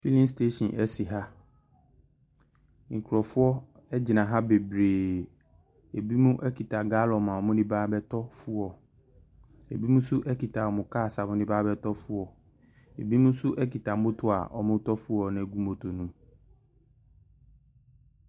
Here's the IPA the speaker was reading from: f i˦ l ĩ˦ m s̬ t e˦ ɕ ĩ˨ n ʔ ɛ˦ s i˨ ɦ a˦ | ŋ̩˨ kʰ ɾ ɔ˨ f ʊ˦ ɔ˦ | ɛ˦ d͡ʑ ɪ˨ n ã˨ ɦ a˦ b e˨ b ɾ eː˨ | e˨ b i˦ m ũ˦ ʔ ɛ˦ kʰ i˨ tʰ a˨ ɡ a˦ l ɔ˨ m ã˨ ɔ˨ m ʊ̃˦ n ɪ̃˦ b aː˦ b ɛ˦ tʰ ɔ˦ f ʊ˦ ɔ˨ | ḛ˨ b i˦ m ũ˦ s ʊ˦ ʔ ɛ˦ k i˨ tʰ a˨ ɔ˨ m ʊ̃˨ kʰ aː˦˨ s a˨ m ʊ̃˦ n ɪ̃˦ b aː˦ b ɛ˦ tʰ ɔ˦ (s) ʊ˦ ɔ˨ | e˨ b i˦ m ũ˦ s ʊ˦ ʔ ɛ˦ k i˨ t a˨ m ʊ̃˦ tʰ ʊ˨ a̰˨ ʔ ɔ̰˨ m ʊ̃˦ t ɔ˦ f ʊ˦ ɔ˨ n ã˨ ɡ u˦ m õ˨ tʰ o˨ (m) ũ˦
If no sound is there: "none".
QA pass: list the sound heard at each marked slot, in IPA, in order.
f, n

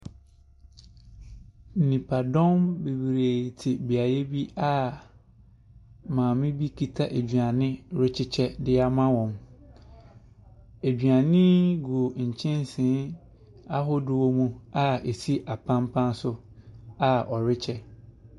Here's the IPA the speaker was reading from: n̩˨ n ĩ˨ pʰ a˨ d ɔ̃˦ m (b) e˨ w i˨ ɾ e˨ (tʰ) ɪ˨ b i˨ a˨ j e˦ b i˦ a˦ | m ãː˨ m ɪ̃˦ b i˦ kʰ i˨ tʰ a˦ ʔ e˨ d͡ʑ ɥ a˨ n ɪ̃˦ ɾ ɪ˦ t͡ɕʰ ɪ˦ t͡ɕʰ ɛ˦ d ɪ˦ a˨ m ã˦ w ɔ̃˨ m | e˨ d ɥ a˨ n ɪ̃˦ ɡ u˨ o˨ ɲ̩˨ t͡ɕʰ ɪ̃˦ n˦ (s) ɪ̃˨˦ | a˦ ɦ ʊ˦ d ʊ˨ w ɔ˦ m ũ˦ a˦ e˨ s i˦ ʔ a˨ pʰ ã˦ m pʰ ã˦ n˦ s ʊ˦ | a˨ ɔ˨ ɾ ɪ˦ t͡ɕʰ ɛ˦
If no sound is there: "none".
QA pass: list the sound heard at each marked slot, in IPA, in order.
b, tʰ, s

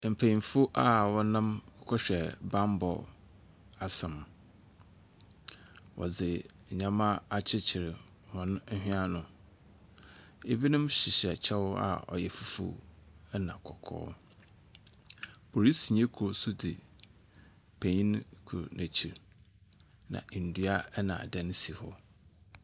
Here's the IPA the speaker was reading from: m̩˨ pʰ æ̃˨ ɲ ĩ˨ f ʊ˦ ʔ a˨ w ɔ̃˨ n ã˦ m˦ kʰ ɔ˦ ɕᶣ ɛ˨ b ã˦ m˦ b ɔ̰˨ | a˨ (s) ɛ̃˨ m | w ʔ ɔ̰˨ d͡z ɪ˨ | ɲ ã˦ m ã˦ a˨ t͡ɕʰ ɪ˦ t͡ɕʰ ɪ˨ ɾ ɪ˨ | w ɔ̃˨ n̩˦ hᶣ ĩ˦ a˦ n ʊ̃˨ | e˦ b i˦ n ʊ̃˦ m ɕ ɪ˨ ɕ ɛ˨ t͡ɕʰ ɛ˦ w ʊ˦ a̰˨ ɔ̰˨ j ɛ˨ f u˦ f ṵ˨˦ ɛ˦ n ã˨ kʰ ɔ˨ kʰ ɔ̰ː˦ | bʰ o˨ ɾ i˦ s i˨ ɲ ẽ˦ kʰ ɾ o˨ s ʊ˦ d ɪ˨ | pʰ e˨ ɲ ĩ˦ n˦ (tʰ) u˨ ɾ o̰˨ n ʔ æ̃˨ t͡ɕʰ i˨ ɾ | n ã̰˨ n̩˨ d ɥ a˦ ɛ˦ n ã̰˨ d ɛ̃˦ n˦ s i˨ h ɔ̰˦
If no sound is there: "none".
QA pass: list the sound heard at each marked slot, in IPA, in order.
s, kʰ

